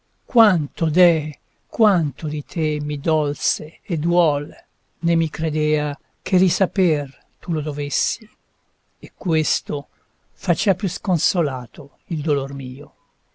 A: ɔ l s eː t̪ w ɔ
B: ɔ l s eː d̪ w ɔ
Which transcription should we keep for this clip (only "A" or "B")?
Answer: B